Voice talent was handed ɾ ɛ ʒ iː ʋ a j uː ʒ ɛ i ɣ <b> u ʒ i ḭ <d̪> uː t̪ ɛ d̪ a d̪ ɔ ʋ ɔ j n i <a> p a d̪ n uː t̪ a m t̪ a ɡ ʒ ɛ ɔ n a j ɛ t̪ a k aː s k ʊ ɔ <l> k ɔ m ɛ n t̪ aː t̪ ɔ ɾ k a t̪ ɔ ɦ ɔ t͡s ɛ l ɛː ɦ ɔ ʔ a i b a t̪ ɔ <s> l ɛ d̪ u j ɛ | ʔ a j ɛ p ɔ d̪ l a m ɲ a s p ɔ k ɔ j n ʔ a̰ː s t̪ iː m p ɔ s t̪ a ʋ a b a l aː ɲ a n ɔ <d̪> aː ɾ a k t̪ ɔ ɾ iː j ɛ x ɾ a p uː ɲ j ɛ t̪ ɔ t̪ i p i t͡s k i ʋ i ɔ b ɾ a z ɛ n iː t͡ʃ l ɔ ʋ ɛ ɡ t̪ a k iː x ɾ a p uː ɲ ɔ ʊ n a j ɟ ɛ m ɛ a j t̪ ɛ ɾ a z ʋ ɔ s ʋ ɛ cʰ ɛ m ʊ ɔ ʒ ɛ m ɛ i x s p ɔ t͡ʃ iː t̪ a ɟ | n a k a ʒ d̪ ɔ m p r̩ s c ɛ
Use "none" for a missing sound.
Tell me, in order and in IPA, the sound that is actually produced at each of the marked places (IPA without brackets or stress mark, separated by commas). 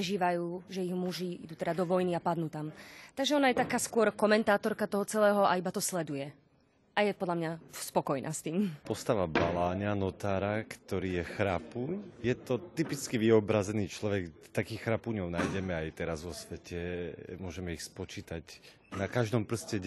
m, d̪, a, ɾ, s, t̪